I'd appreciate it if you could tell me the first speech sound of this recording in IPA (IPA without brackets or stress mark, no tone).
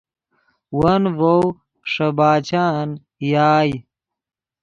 w